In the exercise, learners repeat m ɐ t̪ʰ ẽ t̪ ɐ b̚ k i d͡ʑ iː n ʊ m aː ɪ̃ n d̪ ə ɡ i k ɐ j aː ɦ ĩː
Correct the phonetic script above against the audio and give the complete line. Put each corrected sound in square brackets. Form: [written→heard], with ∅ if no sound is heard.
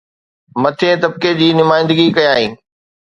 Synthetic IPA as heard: m ɐ t̪ʰ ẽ t̪ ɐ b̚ k [i→e] d͡ʑ iː n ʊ m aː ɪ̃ n d̪ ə ɡ i k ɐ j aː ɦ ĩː